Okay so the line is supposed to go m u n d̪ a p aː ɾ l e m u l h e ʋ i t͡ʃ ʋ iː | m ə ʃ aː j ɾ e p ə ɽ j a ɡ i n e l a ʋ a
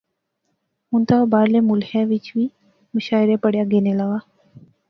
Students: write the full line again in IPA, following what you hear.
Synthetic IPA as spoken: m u n t̪ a b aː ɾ l e m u l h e ʋ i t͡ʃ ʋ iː | m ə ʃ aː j ɾ e p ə ɽ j a ɡ e n e l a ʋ a